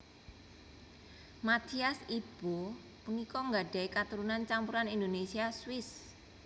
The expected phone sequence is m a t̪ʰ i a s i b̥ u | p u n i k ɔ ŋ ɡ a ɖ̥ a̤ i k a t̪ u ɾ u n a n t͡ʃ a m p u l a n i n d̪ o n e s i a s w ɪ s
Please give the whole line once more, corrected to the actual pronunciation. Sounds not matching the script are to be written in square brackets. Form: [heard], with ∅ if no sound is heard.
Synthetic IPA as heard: m a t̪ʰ i a s i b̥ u | p u n i k ɔ ŋ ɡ a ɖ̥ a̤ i k a t̪ u ɾ u n a n t͡ʃ a m p u [ɾ] a n i n d̪ o n e s i a s w ɪ s